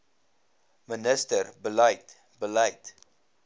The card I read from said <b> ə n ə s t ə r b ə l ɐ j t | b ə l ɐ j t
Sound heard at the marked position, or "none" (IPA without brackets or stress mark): m